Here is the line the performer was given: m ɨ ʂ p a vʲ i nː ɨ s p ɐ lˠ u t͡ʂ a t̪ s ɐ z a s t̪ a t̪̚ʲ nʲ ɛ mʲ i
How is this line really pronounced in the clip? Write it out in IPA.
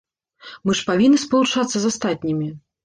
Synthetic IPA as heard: m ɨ ʂ p a vʲ i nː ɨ s p ɐ lˠ u t͡ʂ a t̪ sː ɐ z a s t̪ a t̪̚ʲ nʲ i mʲ i